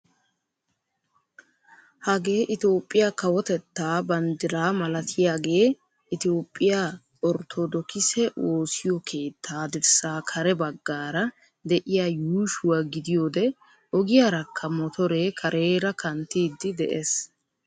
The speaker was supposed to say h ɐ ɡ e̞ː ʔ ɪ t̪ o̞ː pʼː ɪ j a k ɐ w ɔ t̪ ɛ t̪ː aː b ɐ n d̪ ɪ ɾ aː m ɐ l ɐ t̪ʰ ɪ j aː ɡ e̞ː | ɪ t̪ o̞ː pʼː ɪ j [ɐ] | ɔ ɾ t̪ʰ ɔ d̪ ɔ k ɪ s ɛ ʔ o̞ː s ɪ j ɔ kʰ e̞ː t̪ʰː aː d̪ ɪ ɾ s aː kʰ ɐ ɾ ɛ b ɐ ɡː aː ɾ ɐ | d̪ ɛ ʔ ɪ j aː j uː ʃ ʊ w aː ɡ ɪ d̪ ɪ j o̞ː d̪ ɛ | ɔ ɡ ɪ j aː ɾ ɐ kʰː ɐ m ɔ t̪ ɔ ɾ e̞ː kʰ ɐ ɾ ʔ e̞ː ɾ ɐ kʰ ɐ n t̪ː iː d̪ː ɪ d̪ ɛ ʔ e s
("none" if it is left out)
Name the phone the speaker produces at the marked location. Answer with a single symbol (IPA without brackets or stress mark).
a